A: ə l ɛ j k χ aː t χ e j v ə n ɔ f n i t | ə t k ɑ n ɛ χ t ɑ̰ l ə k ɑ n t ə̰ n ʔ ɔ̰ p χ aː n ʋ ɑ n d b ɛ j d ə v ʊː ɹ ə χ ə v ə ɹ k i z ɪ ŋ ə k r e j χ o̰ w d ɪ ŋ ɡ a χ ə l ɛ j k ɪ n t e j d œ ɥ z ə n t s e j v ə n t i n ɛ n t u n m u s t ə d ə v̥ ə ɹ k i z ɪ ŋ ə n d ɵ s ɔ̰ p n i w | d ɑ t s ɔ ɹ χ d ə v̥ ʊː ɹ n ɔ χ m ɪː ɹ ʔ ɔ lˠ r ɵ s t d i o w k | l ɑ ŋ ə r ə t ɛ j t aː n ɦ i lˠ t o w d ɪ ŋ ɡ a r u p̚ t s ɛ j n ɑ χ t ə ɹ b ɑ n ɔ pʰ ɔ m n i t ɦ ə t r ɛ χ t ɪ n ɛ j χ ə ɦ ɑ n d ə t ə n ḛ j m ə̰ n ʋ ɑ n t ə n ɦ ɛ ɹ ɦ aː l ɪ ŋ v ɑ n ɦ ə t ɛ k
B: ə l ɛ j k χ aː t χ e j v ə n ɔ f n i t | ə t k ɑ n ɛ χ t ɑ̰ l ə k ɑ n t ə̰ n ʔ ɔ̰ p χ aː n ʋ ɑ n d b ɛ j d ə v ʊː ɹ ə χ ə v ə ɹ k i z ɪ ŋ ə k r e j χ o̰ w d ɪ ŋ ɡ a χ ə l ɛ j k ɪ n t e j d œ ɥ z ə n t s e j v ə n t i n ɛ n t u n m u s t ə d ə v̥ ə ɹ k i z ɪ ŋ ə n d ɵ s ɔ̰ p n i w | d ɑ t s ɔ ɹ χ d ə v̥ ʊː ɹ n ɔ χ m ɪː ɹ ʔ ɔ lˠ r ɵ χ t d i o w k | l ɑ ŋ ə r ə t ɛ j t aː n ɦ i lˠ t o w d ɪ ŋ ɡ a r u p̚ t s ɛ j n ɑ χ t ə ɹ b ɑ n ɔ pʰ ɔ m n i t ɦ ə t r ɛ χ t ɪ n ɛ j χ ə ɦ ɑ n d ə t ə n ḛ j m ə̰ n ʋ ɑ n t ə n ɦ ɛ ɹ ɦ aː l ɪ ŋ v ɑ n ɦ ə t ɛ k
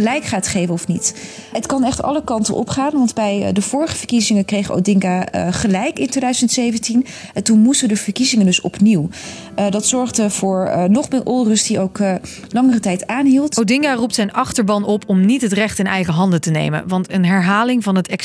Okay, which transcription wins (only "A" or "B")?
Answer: A